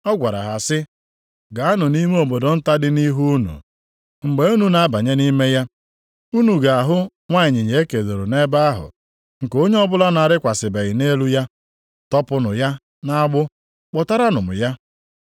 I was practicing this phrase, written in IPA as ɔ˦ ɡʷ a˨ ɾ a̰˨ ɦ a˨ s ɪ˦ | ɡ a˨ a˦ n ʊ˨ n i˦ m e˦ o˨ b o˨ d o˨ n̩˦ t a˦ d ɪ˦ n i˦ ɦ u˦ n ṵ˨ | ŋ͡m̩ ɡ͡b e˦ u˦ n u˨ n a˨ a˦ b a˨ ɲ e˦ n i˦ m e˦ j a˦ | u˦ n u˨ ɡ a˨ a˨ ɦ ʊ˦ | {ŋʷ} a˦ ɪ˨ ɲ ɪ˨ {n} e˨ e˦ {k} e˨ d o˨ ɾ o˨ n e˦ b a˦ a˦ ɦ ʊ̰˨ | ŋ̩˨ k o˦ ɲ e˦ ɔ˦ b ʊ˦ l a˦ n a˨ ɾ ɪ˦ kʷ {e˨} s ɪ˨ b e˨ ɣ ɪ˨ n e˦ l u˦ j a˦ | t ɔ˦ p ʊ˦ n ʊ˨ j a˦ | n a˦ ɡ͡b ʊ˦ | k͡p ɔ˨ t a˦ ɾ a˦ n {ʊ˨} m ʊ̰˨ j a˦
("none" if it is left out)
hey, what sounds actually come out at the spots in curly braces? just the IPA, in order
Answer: ŋʷ, ɲ, k, a˨, ʊ˨

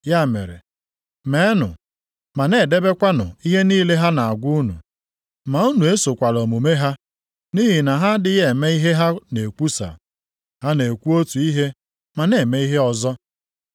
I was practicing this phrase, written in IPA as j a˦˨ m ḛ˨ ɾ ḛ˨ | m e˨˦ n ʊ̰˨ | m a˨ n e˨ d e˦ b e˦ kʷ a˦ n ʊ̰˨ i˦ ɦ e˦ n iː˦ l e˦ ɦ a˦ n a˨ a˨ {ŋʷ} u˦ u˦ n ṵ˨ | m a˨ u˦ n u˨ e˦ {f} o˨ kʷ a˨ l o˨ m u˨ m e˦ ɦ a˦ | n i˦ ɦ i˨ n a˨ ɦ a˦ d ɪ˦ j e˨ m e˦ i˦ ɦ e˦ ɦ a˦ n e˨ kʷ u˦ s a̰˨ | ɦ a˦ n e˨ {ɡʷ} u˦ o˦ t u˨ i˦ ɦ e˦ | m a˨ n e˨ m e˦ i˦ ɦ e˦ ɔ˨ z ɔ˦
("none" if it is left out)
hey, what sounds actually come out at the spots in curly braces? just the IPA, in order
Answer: ɡʷ, s, kʷ

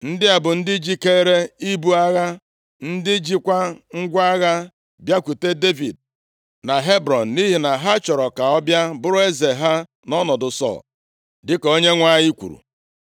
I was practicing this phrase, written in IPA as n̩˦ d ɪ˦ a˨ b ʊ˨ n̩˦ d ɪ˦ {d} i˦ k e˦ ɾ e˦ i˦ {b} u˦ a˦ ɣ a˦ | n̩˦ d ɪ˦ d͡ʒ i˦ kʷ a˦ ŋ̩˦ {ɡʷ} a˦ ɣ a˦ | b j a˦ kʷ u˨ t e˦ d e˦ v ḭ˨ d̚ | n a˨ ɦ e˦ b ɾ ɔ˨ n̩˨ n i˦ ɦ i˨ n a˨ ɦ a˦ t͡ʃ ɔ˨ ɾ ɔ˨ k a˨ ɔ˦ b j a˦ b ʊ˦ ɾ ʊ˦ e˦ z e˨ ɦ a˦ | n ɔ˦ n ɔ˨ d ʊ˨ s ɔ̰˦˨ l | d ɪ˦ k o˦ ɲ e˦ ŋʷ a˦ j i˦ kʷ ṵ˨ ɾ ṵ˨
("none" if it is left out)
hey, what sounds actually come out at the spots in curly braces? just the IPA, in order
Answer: d͡ʒ, b, ɡʷ

